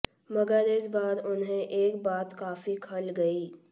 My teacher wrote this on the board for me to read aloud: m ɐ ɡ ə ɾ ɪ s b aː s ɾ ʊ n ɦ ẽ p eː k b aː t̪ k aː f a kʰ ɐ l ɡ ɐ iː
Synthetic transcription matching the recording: m ɐ ɡ ə ɾ ɪ s b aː ɾ ʊ n ɦ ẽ ʔ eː k b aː t̪ k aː f i kʰ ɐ l ɡ ɐ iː